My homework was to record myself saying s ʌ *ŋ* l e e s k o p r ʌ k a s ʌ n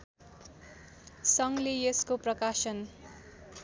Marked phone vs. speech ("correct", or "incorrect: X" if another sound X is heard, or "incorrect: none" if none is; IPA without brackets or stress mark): correct